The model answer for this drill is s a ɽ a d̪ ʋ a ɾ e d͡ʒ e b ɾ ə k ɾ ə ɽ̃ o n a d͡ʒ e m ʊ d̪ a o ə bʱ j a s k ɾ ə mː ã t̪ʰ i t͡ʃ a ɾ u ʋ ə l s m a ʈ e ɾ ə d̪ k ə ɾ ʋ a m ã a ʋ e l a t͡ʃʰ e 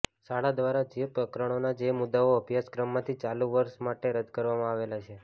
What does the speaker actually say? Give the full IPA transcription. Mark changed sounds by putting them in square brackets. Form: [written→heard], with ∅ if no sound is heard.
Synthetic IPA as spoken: s a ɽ a d̪ ʋ a ɾ [e→a] d͡ʒ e [b→p] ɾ ə k ɾ ə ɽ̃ o n a d͡ʒ e m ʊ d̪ a o ə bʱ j a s k ɾ ə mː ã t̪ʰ i t͡ʃ a [ɾ→l] u ʋ ə [l→ɾ] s m a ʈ e ɾ ə d̪ k ə ɾ ʋ a m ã a ʋ e l a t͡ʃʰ e